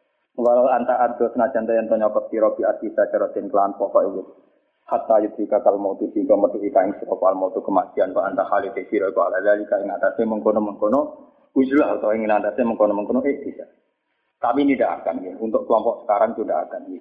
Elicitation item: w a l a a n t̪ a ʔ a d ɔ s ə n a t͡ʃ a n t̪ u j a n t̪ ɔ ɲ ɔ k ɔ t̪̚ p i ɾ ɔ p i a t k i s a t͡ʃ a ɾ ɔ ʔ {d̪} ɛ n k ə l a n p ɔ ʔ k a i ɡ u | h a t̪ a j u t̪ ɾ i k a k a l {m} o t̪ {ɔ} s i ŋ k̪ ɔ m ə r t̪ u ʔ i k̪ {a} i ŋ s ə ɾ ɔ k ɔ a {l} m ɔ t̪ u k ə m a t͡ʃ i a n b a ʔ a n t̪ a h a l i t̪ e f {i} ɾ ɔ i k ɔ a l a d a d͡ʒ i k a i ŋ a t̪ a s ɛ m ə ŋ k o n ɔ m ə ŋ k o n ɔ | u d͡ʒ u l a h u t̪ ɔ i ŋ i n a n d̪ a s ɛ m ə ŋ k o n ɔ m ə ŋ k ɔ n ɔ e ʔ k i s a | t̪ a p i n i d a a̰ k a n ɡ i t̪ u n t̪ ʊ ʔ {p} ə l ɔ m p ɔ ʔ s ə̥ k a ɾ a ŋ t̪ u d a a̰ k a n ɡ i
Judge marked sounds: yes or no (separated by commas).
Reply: no, yes, no, yes, yes, yes, no